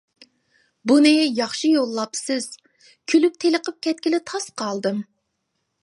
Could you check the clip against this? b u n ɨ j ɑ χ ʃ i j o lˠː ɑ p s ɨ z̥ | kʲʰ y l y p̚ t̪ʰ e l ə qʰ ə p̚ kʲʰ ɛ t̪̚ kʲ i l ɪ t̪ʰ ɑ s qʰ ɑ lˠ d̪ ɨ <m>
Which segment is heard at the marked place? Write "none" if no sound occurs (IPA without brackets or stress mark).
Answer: m